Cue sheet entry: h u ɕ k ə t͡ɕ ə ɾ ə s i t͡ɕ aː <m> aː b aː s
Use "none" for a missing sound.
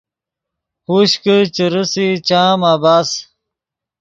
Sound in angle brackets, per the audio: m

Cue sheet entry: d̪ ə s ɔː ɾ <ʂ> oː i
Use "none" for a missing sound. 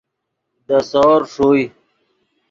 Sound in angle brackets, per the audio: ʂ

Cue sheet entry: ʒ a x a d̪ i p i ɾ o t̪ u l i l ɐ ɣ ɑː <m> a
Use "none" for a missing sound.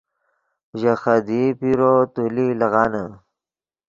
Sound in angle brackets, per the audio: n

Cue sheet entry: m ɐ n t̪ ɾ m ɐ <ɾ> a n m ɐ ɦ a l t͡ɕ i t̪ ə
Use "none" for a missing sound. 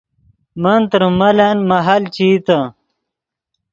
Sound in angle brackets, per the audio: l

